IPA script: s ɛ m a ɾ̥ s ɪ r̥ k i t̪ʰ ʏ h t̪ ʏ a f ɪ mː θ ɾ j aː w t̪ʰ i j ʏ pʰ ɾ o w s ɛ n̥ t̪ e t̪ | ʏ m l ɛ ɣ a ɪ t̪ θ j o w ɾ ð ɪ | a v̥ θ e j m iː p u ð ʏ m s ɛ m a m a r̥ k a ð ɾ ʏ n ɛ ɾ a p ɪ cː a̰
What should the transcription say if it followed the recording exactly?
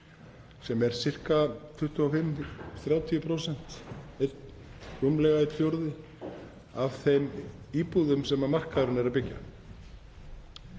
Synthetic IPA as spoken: s ɛ m ɛ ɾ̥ s ɪ r̥ k a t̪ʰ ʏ h t̪ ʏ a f ɪ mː θ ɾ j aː w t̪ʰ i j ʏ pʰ ɾ o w s ɛ n̥ t̪ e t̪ | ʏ m l ɛ ɣ a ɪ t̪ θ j o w ɾ ð ɪ | a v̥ θ e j m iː p u ð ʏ m s ɛ m a m a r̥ k a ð ɾ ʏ n ɛ ɾ a p ɪ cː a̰